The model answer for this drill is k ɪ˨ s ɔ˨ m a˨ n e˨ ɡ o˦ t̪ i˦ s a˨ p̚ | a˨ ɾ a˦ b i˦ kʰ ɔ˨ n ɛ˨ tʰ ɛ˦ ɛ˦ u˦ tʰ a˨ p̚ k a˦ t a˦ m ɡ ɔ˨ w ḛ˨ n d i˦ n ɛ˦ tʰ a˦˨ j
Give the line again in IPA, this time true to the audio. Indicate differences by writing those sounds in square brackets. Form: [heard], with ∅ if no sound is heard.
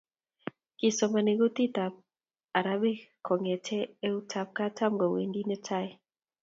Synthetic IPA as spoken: k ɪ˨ s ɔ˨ m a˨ n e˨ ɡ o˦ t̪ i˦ [t] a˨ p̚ | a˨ ɾ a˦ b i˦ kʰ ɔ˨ [ŋ] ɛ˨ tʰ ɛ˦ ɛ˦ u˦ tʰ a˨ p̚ k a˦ t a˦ m ɡ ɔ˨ w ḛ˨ n d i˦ n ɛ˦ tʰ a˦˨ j

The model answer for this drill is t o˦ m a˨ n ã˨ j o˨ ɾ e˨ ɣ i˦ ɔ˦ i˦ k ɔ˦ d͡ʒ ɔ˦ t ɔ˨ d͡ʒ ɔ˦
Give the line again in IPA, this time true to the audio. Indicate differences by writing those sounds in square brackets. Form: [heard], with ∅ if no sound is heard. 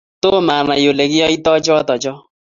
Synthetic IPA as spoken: t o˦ m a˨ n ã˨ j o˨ [l] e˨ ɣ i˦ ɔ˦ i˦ [t] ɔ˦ d͡ʒ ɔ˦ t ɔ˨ d͡ʒ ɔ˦

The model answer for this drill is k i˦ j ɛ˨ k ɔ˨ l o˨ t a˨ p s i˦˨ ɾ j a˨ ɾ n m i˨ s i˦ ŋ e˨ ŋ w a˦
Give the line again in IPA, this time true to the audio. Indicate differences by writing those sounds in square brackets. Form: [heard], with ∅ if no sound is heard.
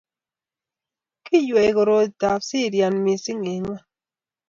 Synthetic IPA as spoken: k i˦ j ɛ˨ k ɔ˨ [ɾ] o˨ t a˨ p s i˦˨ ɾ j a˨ [∅] n m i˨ s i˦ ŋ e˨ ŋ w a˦

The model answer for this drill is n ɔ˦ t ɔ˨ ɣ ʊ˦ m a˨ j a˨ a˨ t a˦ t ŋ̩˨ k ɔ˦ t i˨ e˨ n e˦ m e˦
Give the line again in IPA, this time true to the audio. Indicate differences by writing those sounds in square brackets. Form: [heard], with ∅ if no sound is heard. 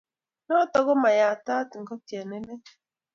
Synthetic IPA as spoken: n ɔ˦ t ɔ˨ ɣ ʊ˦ m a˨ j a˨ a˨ t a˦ t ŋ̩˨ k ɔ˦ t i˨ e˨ n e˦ [n] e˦

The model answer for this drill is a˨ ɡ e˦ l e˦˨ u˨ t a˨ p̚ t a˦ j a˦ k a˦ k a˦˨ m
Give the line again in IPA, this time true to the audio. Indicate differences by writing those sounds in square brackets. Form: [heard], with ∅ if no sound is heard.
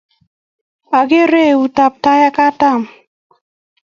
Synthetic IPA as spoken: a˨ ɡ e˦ [ɾ] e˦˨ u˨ t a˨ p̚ t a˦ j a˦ k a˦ [t] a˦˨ m

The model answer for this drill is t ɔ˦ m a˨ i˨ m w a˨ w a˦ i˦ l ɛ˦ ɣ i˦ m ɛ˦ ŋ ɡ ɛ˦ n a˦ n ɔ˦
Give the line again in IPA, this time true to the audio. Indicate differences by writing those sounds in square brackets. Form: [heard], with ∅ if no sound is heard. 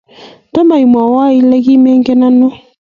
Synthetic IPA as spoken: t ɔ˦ m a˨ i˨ m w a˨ w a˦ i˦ l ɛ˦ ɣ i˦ m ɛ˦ ŋ ɡ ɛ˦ n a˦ n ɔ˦

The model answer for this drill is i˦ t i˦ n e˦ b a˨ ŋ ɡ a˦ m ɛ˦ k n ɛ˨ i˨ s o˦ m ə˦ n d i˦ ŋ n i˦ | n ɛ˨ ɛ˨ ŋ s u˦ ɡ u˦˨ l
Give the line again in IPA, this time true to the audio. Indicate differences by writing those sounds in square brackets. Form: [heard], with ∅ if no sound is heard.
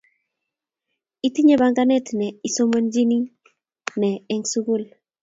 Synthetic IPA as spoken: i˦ t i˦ [ɲ] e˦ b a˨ ŋ ɡ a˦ [n] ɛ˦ [t] n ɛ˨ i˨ s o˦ m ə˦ n [d͡ʒ] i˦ [∅] n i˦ | n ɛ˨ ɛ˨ ŋ s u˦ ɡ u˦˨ l

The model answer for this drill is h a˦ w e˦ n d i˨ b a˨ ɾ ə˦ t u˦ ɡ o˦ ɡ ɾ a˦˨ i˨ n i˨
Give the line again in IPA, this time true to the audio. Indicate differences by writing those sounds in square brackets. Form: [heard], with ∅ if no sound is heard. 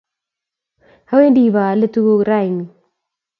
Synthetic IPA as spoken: h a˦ w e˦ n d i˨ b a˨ [l] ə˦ t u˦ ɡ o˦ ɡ ɾ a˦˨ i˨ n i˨

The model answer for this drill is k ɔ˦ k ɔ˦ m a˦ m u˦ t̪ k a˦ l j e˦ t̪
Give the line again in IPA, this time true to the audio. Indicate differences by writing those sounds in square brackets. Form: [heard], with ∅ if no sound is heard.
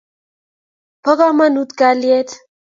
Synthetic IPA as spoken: [p] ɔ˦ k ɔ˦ m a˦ [n] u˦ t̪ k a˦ l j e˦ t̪

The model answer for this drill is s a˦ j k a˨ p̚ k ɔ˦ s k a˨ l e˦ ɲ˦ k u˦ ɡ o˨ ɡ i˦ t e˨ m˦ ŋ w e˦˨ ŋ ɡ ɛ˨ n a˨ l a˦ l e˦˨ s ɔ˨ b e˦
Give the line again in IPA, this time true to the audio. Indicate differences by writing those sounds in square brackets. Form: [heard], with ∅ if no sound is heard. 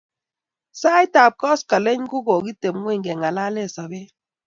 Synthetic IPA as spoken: s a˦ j [t] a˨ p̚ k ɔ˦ s k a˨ l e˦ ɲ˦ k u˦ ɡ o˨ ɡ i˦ t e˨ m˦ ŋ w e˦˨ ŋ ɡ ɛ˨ [ŋ] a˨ l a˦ l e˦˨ s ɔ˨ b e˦

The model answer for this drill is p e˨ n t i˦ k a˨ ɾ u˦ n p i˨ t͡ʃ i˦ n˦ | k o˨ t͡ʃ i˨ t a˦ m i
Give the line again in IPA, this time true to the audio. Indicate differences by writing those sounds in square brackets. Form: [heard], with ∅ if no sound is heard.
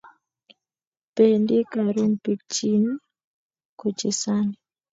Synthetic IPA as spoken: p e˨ n [d] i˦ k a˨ ɾ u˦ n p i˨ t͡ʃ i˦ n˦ | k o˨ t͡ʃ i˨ [s] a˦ [n] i

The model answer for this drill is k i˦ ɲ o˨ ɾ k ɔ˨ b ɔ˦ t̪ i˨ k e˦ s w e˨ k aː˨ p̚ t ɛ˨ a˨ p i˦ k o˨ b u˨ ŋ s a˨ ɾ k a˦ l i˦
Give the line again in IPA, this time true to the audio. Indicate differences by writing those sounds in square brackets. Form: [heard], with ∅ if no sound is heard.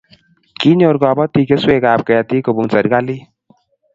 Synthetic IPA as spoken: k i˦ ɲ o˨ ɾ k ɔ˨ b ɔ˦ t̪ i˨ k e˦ s w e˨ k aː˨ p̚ [k] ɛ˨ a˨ [t] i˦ k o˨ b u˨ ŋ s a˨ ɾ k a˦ l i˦

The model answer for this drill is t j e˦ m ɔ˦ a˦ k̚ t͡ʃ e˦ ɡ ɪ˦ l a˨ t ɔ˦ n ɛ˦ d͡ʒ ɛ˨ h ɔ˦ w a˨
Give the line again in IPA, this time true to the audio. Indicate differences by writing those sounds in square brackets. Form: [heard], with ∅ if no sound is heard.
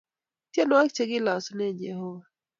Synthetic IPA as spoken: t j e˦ [n] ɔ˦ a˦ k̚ t͡ʃ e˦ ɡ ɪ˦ l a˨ [s] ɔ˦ n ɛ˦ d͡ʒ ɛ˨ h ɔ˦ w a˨

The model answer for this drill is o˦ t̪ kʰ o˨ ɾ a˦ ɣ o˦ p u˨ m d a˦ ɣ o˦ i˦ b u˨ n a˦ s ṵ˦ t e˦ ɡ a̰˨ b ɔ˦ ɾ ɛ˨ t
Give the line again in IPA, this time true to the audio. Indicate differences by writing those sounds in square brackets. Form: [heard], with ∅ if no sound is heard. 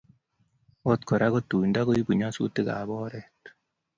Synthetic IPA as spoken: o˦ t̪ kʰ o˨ ɾ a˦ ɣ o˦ [t] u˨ [n] d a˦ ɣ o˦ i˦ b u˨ [ɲ] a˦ s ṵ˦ t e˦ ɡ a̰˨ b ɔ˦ ɾ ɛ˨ t

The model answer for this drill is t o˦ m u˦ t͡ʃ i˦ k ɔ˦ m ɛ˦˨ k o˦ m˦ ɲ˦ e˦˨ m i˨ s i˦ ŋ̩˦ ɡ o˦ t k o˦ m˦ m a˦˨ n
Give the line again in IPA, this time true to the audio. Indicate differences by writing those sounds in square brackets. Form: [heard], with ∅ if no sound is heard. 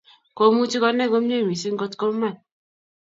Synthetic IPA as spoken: [k] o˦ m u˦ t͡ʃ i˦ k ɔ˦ [n] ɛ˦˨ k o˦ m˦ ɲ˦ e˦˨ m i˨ s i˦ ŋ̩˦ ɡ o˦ t k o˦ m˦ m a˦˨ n

